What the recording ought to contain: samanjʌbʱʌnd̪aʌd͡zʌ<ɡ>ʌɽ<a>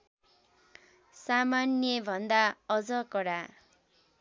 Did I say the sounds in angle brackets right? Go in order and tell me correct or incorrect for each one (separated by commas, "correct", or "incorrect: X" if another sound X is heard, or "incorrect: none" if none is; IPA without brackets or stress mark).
incorrect: k, correct